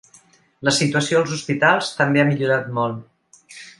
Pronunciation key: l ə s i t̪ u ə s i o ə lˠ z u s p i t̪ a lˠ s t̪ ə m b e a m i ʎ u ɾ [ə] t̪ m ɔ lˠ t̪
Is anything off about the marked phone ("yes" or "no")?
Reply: yes